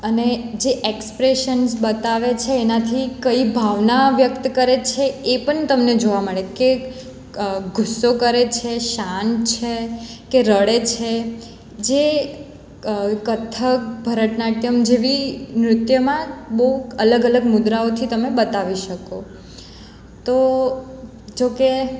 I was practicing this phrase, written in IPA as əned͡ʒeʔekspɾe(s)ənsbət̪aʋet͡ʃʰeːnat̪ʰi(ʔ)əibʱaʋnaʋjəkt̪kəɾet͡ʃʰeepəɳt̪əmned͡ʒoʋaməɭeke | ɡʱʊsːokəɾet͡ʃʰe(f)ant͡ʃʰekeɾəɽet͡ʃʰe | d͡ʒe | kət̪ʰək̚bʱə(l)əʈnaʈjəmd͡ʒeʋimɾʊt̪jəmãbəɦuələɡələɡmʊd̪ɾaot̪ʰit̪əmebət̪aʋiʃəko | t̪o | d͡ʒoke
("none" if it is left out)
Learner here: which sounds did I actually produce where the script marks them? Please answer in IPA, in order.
ʃ, k, ʃ, ɾ

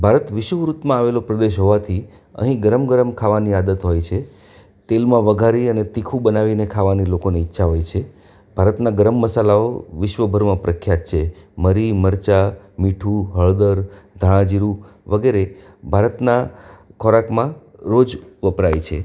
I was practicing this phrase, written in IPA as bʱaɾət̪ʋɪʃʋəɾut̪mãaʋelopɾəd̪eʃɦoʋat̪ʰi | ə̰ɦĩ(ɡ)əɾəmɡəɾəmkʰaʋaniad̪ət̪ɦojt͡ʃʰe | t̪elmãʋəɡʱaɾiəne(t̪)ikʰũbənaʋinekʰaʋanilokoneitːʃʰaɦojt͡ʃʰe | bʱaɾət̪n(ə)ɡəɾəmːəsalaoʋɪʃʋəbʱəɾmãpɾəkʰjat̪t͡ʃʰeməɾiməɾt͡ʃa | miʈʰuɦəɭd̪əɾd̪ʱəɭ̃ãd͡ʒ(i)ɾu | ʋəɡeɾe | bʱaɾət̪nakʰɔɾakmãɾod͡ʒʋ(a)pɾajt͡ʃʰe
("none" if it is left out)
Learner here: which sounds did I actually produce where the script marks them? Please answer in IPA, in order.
ɡ, t̪, a, i, ə

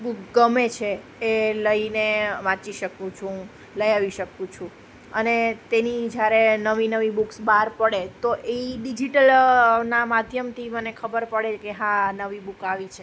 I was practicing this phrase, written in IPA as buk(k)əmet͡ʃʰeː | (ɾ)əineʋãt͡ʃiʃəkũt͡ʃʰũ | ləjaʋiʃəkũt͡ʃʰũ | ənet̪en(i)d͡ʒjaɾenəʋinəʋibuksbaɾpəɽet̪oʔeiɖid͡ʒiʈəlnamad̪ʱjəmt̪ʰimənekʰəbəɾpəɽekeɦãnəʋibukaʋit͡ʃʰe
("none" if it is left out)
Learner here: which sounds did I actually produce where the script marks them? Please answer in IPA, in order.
ɡ, l, i

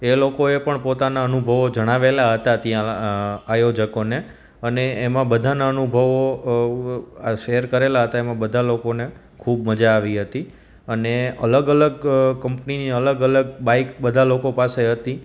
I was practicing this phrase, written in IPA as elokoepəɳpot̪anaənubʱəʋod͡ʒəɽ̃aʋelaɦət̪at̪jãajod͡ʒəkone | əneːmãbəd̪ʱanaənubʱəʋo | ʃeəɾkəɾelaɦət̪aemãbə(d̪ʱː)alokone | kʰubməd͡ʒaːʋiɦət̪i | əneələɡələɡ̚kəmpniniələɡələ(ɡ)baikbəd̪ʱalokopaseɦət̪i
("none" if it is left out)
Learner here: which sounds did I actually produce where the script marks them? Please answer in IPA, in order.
d̪ʱ, ɡ

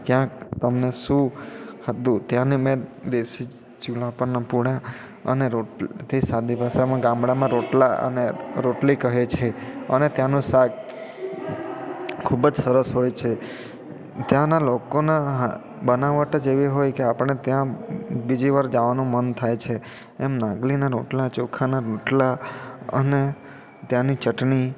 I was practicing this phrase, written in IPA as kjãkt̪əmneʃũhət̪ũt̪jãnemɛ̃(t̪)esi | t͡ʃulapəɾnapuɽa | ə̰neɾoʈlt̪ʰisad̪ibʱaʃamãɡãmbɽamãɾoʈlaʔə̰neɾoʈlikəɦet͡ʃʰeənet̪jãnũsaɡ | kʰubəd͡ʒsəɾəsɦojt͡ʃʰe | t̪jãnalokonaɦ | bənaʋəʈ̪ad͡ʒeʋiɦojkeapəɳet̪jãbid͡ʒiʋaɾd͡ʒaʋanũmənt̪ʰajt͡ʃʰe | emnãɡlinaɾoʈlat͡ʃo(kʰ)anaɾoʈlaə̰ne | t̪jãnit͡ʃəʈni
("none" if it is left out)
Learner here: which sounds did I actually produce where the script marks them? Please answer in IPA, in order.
d̪, kʰ

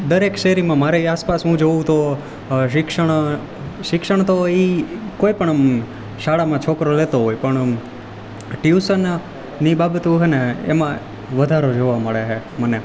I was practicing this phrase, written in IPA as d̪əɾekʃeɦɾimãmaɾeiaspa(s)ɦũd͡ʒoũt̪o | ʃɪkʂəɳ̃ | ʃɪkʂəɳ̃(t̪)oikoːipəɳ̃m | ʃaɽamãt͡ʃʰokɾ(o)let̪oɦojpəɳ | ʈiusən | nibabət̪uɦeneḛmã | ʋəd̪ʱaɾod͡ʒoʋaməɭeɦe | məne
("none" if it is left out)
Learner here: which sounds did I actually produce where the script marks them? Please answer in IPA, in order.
s, t̪, o

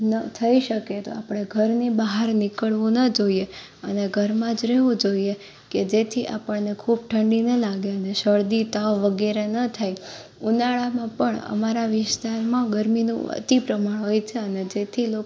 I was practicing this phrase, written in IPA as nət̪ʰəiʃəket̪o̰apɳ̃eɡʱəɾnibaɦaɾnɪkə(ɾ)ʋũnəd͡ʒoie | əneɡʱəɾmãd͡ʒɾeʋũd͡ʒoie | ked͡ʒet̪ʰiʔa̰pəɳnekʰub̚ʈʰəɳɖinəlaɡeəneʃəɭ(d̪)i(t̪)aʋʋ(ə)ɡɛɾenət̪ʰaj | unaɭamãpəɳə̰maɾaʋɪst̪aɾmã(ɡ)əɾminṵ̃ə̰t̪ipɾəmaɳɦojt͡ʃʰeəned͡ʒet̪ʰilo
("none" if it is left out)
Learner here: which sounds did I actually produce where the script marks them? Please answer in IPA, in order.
ɭ, d̪, t̪, ə, ɡ

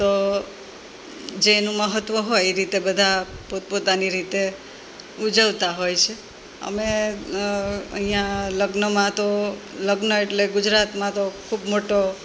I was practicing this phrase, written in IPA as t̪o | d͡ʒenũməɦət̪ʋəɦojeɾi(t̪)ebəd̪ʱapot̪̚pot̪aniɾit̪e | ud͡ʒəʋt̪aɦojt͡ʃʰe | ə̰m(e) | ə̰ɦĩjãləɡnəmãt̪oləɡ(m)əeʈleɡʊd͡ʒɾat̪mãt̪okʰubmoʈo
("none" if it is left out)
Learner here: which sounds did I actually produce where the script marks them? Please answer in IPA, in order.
t̪, e, n

